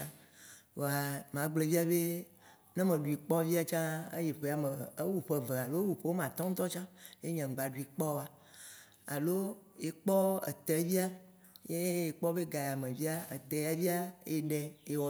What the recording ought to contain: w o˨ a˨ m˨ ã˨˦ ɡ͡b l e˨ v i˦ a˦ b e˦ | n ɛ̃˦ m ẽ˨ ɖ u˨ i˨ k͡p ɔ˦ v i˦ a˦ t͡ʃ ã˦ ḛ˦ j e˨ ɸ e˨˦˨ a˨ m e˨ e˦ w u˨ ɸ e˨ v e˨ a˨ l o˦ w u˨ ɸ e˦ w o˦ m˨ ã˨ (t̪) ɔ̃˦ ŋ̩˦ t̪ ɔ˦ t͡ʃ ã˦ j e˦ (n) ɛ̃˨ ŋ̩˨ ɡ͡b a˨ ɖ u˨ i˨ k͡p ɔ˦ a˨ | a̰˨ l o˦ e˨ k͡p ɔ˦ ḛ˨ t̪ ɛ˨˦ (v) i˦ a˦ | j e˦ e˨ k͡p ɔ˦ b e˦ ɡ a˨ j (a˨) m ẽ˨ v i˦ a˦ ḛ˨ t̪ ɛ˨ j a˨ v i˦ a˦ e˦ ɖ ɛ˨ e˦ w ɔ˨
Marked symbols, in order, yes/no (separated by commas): yes, no, yes, yes